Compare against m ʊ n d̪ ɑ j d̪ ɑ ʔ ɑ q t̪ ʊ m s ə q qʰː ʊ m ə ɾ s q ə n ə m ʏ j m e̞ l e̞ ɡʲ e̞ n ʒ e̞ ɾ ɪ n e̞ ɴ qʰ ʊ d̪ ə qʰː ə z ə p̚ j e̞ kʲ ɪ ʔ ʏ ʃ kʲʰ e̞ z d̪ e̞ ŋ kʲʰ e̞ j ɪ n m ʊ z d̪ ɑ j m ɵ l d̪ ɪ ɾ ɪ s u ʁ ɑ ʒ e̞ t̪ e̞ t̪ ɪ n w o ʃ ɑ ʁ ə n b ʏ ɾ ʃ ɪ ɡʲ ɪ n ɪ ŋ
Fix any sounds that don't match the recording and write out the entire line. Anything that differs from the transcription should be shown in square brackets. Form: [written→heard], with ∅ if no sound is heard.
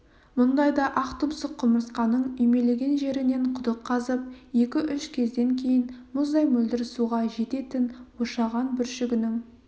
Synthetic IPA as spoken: m ʊ n d̪ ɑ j d̪ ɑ ʔ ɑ q t̪ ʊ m s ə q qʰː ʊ m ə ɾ s q [ə→ɑ] n ə [m→ɴ] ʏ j m e̞ l e̞ ɡʲ e̞ n ʒ e̞ ɾ ɪ n e̞ ɴ qʰ ʊ d̪ ə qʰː [ə→ɑ] z ə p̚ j e̞ kʲ ɪ ʔ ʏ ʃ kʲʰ e̞ z d̪ e̞ ŋ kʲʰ e̞ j ɪ n m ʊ z d̪ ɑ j m ɵ l d̪ ɪ ɾ ɪ s u ʁ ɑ ʒ e̞ t̪ e̞ t̪ ɪ n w o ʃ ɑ ʁ [ə→ɑ] n b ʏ ɾ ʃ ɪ ɡʲ ɪ n ɪ ŋ